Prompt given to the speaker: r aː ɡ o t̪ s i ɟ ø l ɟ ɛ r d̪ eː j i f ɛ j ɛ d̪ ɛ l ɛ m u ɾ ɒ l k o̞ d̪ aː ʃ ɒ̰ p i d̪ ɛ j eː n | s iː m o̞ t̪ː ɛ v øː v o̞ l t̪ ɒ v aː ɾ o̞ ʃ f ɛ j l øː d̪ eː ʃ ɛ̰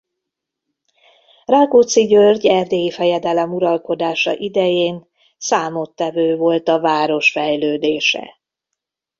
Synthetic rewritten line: r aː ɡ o t̪ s i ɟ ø r ɟ ɛ r d̪ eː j i f ɛ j ɛ d̪ ɛ l ɛ m u ɾ ɒ l k o̞ d̪ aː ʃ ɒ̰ ʔ i d̪ ɛ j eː n | s aː m o̞ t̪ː ɛ v øː v o̞ l t̪ ɒ v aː ɾ o̞ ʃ f ɛ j l øː d̪ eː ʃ ɛ̰